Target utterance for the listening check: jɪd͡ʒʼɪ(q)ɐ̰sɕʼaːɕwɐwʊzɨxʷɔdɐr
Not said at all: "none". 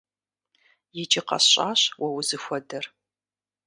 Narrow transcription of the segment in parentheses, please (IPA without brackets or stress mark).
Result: q